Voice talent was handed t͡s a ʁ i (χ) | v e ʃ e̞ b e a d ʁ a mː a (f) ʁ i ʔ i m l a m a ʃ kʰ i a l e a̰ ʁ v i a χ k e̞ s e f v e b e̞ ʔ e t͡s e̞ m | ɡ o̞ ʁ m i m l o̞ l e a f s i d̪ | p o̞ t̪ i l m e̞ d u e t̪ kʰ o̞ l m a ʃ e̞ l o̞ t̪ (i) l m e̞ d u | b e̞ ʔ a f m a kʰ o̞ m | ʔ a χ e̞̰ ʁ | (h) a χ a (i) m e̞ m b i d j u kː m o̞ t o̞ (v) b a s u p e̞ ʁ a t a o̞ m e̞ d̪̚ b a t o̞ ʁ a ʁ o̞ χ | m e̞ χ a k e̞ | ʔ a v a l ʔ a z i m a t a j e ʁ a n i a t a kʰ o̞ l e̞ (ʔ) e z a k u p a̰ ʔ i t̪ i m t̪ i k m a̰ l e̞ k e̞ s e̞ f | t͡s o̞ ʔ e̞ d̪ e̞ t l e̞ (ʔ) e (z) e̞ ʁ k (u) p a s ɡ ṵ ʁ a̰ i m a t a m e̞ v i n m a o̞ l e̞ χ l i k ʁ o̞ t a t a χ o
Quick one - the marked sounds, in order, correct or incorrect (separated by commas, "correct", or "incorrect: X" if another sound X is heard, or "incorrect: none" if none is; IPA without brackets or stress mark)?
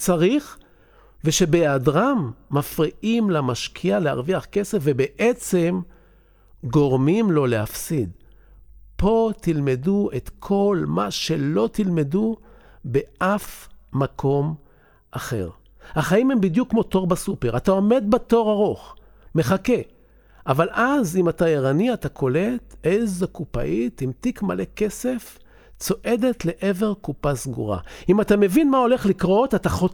correct, correct, correct, correct, correct, incorrect: ʁ, incorrect: t, correct, incorrect: v, correct